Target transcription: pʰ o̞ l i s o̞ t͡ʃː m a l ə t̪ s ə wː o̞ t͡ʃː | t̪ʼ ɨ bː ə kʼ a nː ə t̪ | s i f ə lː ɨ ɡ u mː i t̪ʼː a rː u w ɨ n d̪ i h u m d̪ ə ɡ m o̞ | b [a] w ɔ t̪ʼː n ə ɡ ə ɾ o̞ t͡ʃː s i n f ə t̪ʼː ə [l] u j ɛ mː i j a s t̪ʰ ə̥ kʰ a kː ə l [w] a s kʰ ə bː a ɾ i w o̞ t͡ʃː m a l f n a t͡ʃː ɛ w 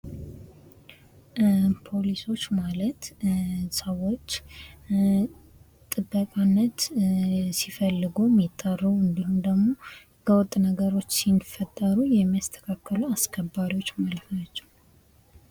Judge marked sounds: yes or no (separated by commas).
no, no, no